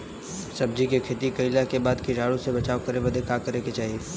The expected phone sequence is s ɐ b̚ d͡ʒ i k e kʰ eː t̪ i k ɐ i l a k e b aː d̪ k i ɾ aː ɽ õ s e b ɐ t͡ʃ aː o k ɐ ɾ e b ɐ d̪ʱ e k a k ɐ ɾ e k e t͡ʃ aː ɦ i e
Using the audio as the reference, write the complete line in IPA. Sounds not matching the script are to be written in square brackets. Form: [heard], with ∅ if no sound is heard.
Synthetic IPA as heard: s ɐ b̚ d͡ʒ i k e kʰ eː t̪ i k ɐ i l a k e b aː d̪ k i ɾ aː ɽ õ s e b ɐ t͡ʃ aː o k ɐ ɾ e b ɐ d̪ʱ e k a k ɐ ɾ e k e t͡ʃ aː ɦ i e